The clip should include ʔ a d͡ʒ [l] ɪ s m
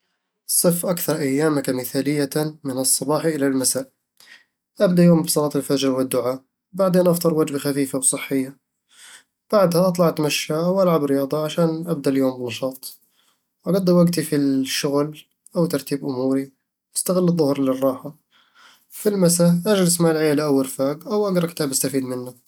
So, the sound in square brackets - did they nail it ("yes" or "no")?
yes